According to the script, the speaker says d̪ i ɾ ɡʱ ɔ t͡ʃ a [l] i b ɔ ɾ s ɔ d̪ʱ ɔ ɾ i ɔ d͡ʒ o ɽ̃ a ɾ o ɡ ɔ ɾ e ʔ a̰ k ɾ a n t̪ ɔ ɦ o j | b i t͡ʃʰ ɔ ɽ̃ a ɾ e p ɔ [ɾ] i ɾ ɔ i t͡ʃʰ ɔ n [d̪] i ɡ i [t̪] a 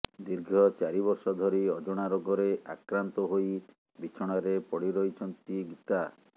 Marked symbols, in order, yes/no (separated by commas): no, no, no, yes